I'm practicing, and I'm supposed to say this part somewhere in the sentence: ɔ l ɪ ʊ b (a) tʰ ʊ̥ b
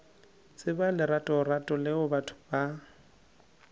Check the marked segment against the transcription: correct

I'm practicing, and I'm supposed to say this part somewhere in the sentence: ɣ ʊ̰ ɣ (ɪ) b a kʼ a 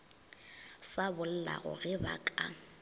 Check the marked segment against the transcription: correct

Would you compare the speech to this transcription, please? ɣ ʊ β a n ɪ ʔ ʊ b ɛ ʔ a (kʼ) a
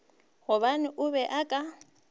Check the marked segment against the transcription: correct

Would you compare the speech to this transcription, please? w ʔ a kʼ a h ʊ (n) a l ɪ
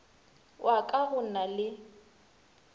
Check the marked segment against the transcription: correct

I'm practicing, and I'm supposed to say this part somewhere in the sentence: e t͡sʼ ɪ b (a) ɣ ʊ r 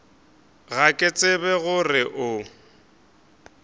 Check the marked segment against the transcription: incorrect: ɛ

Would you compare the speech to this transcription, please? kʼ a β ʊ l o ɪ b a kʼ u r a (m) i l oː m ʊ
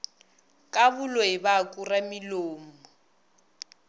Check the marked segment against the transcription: correct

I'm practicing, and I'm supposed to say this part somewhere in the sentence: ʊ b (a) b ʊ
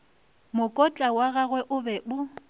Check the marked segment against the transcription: incorrect: ɛ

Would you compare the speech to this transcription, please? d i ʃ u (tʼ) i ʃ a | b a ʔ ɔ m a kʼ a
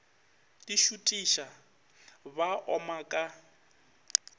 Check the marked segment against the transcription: correct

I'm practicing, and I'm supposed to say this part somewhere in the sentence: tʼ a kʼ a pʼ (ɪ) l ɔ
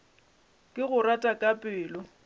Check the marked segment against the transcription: incorrect: ɪː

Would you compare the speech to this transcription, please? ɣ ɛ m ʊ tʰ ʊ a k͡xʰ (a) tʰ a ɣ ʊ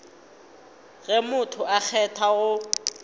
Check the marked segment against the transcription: incorrect: ɛ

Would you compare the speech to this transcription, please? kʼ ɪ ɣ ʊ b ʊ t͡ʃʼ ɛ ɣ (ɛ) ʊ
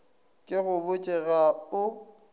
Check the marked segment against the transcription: incorrect: a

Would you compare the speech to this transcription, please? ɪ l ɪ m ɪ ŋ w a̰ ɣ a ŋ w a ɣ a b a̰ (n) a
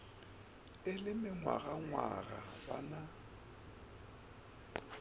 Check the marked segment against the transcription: correct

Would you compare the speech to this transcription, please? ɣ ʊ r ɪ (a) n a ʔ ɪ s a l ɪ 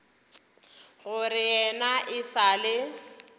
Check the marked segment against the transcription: incorrect: ɛ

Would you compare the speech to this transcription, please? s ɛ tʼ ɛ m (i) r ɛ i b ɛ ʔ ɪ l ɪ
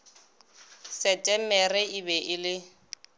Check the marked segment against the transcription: incorrect: ɛ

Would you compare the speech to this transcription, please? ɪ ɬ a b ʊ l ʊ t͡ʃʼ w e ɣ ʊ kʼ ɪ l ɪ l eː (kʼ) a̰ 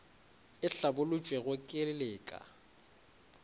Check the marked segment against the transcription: correct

